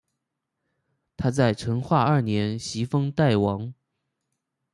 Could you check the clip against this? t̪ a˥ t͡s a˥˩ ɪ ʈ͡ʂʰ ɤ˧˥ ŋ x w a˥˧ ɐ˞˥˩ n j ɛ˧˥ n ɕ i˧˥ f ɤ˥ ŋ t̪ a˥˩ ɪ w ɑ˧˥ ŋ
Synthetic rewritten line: t̪ʰ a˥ t͡s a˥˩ ɪ ʈ͡ʂʰ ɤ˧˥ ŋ x w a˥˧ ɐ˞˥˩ n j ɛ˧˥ n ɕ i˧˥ f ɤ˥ ŋ t̪ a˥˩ ɪ w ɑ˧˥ ŋ

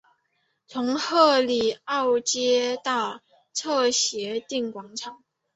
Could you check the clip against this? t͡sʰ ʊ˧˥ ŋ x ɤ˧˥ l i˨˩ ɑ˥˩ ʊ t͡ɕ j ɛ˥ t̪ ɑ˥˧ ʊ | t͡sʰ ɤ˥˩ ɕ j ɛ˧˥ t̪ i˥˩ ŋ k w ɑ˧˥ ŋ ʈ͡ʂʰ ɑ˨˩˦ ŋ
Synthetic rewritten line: t͡sʰ ʊ˧˥ ŋ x ɤ˥˧ l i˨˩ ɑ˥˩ ʊ t͡ɕ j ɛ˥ t̪ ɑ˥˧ ʊ | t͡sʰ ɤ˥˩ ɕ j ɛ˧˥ t̪ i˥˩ ŋ k w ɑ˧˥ ŋ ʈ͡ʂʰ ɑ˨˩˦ ŋ

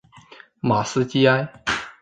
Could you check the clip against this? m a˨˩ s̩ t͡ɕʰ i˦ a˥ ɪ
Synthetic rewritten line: m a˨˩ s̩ t͡ɕ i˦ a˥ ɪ

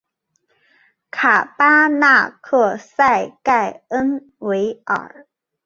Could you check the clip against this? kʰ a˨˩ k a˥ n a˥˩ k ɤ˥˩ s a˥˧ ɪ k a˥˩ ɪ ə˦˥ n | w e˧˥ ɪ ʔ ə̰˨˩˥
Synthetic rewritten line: kʰ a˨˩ p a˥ n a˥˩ kʰ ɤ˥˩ s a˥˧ ɪ k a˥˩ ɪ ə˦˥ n | w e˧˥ ɪ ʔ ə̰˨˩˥

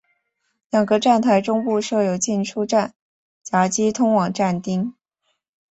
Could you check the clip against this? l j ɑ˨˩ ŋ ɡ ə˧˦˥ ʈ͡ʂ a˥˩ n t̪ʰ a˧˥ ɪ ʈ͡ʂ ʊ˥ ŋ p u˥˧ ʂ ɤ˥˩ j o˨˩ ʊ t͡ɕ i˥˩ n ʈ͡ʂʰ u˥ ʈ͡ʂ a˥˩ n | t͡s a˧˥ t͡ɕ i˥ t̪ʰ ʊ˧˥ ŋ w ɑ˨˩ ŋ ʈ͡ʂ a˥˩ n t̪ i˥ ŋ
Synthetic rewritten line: l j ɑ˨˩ ŋ ɡ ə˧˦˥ ʈ͡ʂ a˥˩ n t̪ʰ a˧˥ ɪ ʈ͡ʂ ʊ˥ ŋ p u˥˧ ʂ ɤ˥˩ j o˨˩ ʊ t͡ɕ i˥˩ n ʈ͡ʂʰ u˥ ʈ͡ʂ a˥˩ n | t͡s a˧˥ t͡ɕ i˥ t̪ʰ ʊ˥ ŋ w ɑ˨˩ ŋ ʈ͡ʂ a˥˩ n t̪ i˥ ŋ

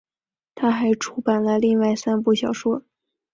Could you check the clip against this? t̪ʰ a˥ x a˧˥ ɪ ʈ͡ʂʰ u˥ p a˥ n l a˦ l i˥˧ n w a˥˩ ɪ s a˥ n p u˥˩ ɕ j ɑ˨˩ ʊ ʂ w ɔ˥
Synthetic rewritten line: t̪ʰ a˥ x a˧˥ ɪ ʈ͡ʂʰ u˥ p a˨˩ n l ə˦ l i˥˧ ŋ w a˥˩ ɪ s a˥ n p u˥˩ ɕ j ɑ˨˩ ʊ ʂ w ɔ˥

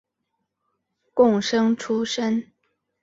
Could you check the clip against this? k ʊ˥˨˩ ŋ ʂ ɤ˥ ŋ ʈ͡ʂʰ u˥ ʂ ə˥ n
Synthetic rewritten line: k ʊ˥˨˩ ŋ ʂ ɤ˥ ŋ ʈ͡ʂʰ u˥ ʂ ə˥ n

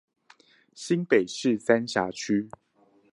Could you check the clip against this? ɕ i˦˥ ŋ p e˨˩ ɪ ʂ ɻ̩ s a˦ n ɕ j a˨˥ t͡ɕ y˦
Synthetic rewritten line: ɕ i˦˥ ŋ p e˨˩ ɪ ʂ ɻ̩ s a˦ n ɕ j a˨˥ t͡ɕʰ y˦

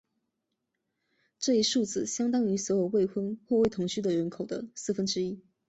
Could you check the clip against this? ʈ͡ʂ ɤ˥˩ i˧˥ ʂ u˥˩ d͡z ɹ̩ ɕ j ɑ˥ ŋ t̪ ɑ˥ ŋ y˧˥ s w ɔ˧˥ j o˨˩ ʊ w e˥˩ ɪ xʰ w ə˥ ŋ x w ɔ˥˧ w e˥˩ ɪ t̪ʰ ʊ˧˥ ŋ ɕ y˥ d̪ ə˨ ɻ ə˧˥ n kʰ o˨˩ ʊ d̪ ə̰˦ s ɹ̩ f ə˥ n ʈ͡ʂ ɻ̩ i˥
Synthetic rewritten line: ʈ͡ʂ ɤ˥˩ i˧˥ ʂ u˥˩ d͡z ɹ̩ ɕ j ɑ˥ ŋ t̪ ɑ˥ ŋ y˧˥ s w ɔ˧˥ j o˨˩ ʊ w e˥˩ ɪ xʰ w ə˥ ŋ x w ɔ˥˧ w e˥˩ ɪ t̪ʰ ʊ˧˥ ŋ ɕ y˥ d̪ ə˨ ɻ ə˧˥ n kʰ o˨˩ ʊ d̪ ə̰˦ s ɹ̩ f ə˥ n ʈ͡ʂ ɻ̩ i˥

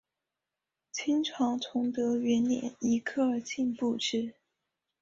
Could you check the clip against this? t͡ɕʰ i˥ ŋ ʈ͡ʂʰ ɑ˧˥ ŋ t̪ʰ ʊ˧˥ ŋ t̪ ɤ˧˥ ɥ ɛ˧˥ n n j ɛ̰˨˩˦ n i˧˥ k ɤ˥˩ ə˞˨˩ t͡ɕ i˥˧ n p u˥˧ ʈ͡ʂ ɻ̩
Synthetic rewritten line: t͡ɕʰ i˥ ŋ ʈ͡ʂʰ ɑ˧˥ ŋ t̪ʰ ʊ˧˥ ŋ t̪ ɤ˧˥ ɥ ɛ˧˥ n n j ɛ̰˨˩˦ n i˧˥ kʰ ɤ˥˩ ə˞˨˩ t͡ɕ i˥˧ n p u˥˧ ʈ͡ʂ ɻ̩

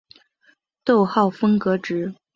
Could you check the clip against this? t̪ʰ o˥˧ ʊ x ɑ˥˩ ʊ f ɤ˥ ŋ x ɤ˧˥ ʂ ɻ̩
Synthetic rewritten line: t̪ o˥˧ ʊ x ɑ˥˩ ʊ f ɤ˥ ŋ k ɤ˧˥ ʈ͡ʂ ɻ̩

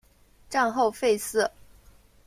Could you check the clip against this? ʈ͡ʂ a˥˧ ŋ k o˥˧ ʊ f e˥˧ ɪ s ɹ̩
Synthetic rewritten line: ʈ͡ʂ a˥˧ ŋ x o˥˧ ʊ f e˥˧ ɪ s ɹ̩

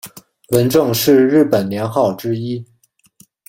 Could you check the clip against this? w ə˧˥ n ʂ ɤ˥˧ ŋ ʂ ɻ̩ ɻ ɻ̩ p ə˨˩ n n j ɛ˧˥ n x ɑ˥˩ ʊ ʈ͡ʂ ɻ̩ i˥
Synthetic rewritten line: w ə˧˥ n ʈ͡ʂ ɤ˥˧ ŋ ʂ ɻ̩ ɻ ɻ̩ p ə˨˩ n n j ɛ˧˥ n x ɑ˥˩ ʊ ʈ͡ʂ ɻ̩ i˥

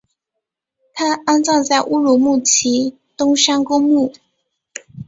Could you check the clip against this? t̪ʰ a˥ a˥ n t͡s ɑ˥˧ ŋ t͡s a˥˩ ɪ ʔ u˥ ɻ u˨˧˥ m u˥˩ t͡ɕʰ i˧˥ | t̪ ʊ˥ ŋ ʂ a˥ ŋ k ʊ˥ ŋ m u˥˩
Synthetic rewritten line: t̪ʰ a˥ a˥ n t͡s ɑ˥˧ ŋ t͡s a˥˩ ɪ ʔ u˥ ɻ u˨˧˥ m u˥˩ t͡ɕʰ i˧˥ | t̪ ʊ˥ ŋ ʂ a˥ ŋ k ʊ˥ ŋ m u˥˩

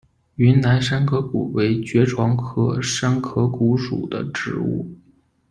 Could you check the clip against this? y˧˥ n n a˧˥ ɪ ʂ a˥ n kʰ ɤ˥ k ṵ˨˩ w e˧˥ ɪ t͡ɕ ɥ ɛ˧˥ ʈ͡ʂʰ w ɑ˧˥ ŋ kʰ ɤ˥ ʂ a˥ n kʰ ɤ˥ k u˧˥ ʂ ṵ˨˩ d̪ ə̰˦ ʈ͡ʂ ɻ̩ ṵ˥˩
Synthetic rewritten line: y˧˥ n n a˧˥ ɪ ʂ a˥ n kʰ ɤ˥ k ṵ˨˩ w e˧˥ ɪ t͡ɕ ɥ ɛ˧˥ ʈ͡ʂʰ w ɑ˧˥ ŋ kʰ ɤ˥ ʂ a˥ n kʰ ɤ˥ k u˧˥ ʂ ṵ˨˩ d̪ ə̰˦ ʈ͡ʂ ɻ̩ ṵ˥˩

